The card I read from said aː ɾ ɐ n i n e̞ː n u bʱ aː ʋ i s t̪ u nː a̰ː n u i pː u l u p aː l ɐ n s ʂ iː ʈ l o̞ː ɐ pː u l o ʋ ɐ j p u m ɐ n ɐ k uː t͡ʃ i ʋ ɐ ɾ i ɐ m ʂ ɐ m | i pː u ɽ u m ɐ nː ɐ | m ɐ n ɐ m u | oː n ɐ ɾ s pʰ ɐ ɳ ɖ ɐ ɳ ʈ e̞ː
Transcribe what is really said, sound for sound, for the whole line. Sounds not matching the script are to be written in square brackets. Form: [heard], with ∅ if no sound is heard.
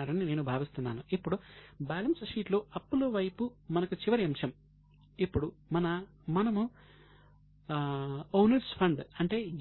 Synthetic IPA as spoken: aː ɾ ɐ n i n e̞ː n u bʱ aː ʋ i s t̪ u nː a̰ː n u i pː u [ɽ] u [b] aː l ɐ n s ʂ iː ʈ l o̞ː ɐ pː u l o ʋ ɐ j p u m ɐ n ɐ k [u] t͡ʃ i ʋ ɐ ɾ i ɐ m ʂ ɐ m | i pː u ɽ u m ɐ [n] ɐ | m ɐ n ɐ m u | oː n ɐ ɾ s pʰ ɐ ɳ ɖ ɐ ɳ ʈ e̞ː